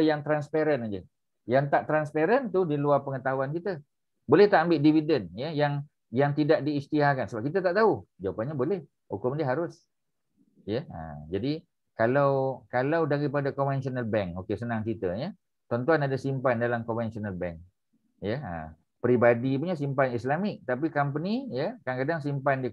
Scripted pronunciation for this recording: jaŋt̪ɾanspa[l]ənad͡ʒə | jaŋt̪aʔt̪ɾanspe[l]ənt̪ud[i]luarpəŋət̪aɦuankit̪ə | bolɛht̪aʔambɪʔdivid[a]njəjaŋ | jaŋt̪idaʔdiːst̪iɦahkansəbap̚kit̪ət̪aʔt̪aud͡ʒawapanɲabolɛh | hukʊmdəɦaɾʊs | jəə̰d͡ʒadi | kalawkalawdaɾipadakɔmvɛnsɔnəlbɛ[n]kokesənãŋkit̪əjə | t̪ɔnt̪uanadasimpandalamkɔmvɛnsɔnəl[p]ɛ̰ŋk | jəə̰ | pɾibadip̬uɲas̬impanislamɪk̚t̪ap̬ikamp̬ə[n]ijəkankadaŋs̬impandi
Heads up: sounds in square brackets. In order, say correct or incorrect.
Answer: incorrect: ɾ, incorrect: ɾ, correct, incorrect: ə, incorrect: ŋ, incorrect: b, correct

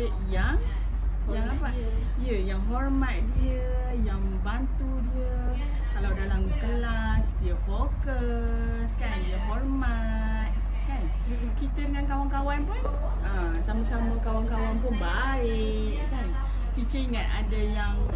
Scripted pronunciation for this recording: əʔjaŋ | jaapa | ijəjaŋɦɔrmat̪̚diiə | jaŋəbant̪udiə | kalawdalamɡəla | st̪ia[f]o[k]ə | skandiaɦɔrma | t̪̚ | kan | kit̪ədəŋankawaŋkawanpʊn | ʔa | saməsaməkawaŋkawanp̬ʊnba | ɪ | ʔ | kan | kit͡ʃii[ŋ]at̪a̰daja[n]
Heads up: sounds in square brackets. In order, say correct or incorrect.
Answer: correct, correct, correct, incorrect: ŋ

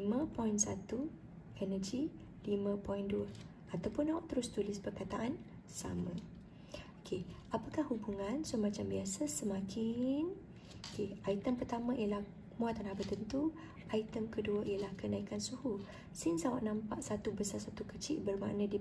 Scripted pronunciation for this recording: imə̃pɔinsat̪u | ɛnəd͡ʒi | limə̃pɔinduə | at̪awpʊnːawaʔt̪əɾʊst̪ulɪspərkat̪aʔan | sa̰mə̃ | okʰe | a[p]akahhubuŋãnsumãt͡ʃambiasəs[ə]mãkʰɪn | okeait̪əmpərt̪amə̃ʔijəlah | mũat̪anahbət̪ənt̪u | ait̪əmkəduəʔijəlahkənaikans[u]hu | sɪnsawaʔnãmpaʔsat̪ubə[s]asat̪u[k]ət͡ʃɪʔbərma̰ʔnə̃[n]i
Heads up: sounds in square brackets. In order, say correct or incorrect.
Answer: correct, correct, correct, correct, correct, incorrect: d

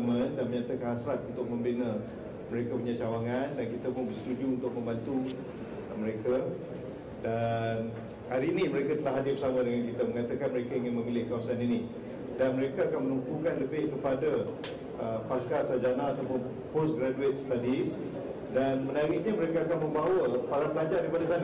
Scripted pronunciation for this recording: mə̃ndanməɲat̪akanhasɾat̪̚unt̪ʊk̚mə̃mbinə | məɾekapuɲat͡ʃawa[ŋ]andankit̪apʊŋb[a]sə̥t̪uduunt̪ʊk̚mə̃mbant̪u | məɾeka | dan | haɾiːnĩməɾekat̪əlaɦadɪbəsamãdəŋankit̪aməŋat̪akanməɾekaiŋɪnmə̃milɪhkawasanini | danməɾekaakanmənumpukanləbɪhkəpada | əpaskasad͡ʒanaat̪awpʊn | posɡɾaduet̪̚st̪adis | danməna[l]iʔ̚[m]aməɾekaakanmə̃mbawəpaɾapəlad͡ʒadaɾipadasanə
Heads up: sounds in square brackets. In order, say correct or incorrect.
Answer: correct, incorrect: ə, incorrect: ɾ, incorrect: ɲ

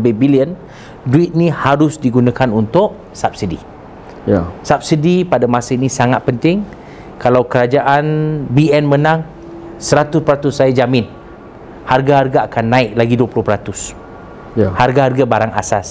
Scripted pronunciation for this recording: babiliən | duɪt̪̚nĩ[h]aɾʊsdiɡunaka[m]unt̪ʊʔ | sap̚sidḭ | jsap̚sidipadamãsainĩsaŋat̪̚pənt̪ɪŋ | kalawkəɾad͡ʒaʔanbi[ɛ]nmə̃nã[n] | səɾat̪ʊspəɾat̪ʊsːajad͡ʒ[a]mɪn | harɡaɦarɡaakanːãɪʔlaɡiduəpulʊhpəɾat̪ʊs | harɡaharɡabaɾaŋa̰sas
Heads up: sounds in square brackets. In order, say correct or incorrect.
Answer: correct, incorrect: n, correct, incorrect: ŋ, correct

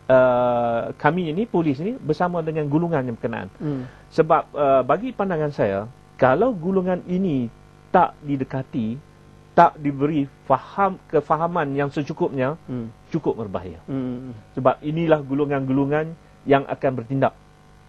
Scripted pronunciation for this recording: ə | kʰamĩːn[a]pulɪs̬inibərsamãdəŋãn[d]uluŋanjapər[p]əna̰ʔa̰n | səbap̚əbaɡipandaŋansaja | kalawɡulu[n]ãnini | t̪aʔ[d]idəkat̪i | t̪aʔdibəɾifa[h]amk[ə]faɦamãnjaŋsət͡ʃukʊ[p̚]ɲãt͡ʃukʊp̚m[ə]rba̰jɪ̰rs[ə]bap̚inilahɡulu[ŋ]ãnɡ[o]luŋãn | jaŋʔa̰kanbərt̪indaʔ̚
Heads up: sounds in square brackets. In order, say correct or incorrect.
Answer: incorrect: i, incorrect: ɡ, incorrect: k, incorrect: ŋ, correct, correct, correct, correct, correct, correct, correct, incorrect: u

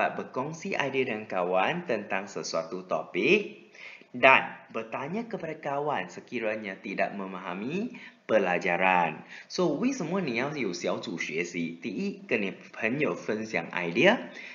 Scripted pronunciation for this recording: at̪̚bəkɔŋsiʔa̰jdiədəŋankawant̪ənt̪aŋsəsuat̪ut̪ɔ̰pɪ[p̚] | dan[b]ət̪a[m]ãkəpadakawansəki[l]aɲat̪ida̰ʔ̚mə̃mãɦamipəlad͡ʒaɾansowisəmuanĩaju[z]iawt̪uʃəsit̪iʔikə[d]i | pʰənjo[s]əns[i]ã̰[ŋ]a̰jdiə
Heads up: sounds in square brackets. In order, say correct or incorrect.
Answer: incorrect: k̚, correct, incorrect: ɲ, incorrect: ɾ, incorrect: s, incorrect: n, incorrect: f, incorrect: j, correct

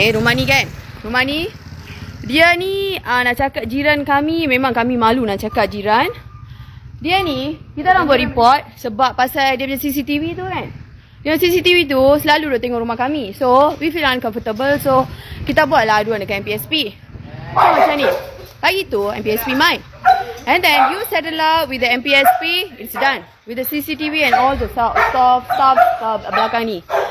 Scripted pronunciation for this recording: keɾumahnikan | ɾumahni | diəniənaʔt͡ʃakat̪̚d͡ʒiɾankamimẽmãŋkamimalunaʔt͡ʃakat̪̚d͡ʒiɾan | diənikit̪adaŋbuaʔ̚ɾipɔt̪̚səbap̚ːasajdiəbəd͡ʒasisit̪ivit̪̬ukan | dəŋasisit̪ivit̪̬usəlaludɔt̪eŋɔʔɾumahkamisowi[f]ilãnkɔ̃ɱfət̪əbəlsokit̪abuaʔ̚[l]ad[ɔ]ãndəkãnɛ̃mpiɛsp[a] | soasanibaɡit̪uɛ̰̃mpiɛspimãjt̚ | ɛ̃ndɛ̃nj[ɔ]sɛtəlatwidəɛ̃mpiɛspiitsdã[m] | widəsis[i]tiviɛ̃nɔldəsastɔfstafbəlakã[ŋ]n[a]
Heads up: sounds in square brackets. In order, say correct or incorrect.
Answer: correct, correct, incorrect: u, incorrect: i, incorrect: u, incorrect: n, correct, correct, incorrect: i

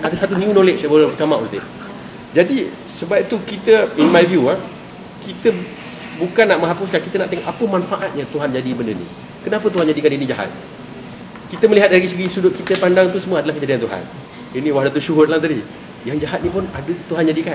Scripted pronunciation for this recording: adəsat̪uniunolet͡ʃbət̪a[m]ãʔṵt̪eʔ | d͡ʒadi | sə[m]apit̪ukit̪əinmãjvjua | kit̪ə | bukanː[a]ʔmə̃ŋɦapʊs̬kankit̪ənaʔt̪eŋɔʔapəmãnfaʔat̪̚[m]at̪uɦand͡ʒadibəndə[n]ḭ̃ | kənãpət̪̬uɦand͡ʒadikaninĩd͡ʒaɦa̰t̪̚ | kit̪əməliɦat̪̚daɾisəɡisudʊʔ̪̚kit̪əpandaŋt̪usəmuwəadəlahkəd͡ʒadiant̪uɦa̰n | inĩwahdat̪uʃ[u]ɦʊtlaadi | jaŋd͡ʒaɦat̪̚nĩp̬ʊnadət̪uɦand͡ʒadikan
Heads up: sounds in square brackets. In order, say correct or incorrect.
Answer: correct, incorrect: b, correct, incorrect: ɲ, correct, correct

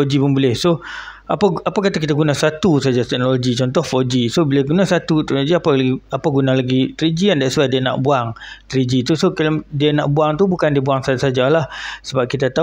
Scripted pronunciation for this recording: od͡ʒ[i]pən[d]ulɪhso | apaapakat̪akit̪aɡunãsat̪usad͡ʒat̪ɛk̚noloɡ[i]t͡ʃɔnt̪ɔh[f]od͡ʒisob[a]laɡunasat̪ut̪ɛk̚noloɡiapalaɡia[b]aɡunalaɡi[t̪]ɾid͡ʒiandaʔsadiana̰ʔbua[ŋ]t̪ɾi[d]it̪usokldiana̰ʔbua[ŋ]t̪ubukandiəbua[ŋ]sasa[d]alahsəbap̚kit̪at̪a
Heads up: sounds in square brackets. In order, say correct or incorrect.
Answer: correct, incorrect: b, correct, correct, incorrect: i, incorrect: p, correct, correct, incorrect: d͡ʒ, correct, correct, incorrect: d͡ʒ

